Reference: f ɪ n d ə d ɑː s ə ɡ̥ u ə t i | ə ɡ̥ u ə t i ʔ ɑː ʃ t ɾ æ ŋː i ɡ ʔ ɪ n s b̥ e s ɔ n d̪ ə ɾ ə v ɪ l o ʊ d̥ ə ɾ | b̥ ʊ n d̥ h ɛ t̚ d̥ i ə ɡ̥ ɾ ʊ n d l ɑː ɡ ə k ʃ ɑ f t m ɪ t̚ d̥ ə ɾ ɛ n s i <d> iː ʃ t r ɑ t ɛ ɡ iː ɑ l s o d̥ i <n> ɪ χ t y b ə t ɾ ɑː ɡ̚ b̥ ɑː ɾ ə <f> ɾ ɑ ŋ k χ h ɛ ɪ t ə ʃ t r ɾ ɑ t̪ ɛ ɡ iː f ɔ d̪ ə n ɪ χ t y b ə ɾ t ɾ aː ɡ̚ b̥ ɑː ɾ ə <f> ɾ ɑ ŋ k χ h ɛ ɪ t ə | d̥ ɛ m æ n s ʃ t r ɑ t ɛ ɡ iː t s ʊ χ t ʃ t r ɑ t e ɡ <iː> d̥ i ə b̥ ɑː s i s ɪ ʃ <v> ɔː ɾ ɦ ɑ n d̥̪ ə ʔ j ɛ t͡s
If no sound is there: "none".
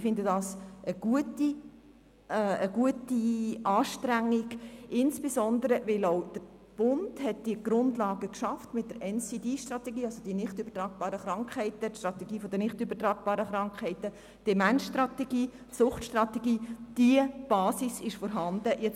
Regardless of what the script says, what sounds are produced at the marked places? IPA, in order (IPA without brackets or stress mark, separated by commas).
d, n, χ, χ, iː, f